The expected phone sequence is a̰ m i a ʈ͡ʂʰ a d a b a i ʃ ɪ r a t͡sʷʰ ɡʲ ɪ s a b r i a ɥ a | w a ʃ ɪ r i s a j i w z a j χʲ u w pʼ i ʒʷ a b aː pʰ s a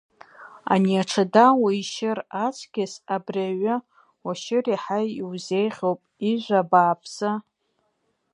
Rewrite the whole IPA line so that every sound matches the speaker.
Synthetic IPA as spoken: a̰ n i a ʈ͡ʂʰ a d a w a i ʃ ɪ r a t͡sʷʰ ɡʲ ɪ s a b r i a ɥ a | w a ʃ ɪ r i ħ a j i w z e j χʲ o w pʼ i ʒʷ a b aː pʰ s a